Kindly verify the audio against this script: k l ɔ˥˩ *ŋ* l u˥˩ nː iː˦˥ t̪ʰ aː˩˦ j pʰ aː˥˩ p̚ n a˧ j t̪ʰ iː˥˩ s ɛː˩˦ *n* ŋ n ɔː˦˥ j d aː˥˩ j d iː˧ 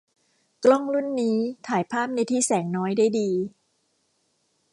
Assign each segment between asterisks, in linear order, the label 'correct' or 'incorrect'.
correct, incorrect: none

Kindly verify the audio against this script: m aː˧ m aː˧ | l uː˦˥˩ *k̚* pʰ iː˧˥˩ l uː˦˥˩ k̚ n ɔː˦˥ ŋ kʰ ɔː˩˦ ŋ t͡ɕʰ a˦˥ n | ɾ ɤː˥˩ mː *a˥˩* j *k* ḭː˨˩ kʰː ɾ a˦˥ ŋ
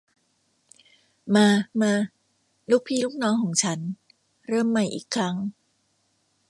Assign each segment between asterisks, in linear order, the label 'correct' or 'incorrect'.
correct, incorrect: a˨˩, incorrect: ʔ

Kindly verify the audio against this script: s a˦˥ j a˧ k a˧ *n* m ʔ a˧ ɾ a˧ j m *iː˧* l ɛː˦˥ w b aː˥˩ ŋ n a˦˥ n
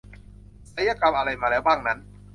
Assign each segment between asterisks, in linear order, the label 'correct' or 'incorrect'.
incorrect: none, incorrect: aː˧

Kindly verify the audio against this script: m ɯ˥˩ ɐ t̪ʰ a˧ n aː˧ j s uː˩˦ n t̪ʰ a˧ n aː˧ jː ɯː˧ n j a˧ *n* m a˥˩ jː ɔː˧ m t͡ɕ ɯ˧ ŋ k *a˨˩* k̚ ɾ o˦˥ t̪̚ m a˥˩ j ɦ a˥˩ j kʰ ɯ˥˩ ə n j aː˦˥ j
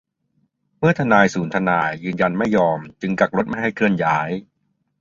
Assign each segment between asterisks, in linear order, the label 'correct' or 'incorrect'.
correct, correct

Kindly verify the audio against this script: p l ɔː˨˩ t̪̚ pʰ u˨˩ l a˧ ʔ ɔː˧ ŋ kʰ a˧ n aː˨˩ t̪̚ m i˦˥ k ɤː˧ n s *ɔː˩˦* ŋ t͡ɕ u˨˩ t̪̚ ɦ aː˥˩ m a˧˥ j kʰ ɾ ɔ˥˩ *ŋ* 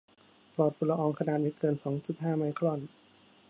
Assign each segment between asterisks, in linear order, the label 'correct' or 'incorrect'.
correct, incorrect: n

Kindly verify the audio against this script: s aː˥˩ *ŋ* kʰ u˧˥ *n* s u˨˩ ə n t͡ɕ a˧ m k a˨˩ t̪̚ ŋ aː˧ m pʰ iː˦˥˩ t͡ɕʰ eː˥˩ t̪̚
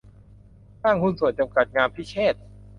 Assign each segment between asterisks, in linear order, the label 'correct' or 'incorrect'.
correct, correct

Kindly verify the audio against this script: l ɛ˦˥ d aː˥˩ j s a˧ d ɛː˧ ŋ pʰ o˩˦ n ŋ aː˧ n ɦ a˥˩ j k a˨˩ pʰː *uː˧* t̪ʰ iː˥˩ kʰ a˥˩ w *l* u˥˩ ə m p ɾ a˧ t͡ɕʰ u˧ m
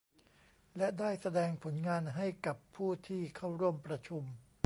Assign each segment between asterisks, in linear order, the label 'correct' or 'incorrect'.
incorrect: uː˥˩, incorrect: ɾ

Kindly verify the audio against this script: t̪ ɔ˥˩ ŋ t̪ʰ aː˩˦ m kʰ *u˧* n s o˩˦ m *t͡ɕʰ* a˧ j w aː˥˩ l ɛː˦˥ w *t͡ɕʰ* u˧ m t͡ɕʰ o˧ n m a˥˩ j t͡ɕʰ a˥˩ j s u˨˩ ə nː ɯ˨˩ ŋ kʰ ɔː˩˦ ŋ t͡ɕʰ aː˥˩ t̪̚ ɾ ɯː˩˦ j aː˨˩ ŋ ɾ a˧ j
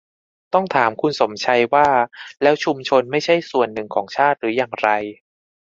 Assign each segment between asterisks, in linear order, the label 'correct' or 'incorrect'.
correct, correct, correct

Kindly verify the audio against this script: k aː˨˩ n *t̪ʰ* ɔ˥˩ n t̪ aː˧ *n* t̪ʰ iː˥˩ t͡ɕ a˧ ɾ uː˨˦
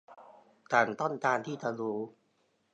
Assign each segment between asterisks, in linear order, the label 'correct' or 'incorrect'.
incorrect: t̪, correct

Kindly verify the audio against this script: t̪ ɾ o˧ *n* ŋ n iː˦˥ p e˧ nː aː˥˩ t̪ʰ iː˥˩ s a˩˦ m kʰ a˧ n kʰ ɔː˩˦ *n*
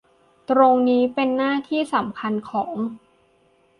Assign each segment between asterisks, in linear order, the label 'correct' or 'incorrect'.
incorrect: none, incorrect: ŋ

